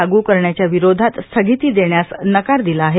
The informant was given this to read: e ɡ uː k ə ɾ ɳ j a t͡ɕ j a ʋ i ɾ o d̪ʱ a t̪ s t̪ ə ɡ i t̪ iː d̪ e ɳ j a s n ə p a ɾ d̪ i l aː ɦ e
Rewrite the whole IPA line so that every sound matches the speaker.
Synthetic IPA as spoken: a ɡ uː k ə ɾ ɳ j a t͡ɕ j a ʋ i ɾ o d̪ʱ a t̪ s t̪ʰ ə ɡ i t̪ iː d̪ e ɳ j a s n ə k a ɾ d̪ i l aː ɦ e